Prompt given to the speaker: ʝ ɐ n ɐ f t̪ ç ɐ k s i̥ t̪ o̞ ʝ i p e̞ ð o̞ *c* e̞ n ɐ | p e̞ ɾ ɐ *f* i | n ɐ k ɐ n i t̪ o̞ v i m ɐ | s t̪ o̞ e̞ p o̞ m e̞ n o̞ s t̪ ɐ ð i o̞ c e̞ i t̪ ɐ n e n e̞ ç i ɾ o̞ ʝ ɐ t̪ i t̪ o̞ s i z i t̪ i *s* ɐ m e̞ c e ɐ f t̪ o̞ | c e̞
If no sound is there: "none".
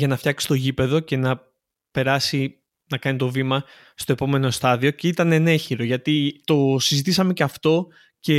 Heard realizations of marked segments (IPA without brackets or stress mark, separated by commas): c, s, s